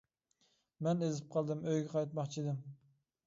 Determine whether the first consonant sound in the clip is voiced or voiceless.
voiced